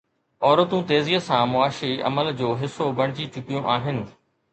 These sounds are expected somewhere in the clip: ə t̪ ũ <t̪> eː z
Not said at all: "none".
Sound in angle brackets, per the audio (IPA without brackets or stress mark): t̪